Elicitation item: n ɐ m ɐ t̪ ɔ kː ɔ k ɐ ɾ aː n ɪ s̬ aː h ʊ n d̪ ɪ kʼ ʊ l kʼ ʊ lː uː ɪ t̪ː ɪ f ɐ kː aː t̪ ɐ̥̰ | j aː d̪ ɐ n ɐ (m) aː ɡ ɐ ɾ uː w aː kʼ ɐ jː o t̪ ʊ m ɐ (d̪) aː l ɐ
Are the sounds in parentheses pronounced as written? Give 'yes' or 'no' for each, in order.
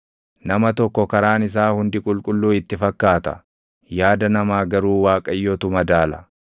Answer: yes, yes

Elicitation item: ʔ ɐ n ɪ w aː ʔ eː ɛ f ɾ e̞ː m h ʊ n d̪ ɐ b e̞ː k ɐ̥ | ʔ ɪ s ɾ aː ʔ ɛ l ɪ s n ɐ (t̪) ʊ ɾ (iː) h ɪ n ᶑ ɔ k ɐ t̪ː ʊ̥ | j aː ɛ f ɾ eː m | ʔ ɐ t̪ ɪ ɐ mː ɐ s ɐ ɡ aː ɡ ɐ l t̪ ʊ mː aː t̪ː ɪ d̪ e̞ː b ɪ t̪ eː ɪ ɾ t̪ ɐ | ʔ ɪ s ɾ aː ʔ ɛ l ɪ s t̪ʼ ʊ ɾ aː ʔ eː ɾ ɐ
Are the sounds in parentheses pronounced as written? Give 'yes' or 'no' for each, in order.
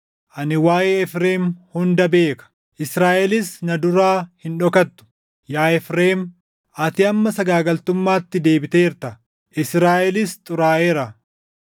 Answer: no, no

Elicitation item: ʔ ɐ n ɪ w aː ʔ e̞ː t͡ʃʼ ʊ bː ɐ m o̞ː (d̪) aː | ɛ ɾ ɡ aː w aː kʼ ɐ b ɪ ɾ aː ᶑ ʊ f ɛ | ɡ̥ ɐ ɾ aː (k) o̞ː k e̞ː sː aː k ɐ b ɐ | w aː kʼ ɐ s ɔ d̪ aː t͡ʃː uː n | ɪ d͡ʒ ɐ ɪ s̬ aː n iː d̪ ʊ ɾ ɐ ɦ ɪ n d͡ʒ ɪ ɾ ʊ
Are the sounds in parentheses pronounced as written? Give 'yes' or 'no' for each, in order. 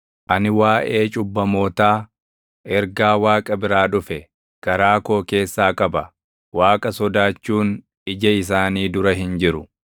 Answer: no, yes

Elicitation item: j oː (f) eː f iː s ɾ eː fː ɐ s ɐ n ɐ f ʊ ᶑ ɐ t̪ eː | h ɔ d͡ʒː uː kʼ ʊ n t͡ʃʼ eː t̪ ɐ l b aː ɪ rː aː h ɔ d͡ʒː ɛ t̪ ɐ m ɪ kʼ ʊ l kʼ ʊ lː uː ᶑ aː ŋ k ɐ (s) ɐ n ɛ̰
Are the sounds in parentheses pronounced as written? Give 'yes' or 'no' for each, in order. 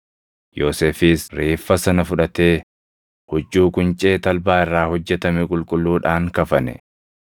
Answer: no, no

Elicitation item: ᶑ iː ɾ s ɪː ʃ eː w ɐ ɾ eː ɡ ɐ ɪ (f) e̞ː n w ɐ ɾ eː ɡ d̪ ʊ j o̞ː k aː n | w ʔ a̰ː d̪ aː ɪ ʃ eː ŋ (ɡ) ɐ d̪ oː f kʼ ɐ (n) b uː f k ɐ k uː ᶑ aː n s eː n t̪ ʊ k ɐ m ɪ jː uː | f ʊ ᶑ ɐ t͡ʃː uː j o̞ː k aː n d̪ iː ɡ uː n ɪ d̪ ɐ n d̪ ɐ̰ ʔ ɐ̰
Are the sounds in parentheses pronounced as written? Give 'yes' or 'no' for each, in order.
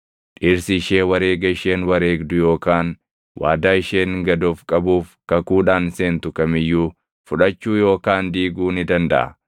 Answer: no, yes, no

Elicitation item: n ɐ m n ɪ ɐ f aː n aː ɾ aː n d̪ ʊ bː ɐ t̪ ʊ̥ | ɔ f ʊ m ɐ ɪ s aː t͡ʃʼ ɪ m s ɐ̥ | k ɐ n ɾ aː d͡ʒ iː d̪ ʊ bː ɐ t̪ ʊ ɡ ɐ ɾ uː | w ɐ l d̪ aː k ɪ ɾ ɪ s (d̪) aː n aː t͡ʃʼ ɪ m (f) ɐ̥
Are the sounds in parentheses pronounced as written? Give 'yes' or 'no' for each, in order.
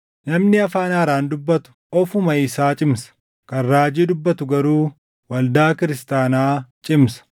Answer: no, no

